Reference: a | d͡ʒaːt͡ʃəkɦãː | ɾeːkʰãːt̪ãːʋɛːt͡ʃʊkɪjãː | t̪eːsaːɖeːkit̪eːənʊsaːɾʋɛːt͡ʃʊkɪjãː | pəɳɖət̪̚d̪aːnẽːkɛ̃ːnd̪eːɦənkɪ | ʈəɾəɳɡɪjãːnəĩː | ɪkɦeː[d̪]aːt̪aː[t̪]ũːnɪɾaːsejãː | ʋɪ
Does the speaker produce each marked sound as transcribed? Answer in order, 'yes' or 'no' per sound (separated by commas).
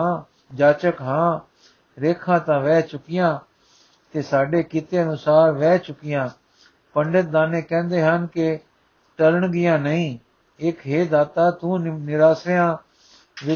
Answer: yes, yes